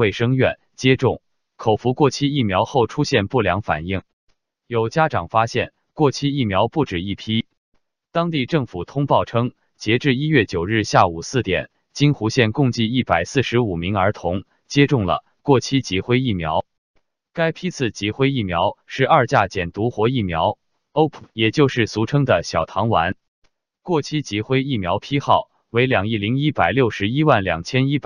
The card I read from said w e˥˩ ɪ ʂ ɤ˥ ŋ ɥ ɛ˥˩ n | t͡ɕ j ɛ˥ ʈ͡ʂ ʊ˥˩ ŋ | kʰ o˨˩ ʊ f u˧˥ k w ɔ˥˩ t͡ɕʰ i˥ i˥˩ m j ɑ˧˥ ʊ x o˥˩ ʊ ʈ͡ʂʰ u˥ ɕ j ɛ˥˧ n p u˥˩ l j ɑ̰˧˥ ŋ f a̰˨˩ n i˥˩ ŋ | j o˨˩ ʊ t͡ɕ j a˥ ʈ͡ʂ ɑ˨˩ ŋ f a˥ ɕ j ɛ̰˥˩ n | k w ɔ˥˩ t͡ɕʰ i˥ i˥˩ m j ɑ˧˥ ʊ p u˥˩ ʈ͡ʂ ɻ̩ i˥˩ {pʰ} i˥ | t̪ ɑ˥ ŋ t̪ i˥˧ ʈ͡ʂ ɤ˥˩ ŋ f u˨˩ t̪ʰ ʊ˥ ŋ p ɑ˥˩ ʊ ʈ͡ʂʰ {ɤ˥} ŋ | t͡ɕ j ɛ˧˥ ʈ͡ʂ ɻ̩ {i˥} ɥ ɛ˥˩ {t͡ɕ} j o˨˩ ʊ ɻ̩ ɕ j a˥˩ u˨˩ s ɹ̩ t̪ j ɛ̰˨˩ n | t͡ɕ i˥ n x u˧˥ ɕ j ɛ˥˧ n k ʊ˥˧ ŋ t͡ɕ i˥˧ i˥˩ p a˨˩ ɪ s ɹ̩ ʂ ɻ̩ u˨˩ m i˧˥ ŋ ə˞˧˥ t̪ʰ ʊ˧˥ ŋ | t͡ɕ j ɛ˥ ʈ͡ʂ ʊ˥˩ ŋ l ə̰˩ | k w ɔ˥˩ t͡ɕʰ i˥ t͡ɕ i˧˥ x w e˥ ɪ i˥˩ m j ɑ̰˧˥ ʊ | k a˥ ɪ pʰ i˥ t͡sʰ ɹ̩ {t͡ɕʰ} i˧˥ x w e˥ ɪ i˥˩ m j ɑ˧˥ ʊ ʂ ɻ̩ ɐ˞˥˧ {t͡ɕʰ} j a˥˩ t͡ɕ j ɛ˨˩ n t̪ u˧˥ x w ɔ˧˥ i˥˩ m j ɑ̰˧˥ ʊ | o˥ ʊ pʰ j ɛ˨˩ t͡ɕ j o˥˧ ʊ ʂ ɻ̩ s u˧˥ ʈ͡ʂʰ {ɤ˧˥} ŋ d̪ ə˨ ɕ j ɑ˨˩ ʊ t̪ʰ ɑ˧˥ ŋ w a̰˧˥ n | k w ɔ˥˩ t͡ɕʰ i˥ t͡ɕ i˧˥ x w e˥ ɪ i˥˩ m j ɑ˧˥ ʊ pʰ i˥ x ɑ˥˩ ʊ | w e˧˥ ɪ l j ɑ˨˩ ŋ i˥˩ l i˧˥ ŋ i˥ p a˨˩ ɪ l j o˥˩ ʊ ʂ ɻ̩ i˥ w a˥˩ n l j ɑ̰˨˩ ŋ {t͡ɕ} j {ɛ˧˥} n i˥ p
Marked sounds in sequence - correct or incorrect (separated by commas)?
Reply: correct, correct, correct, correct, incorrect, incorrect, incorrect, incorrect, incorrect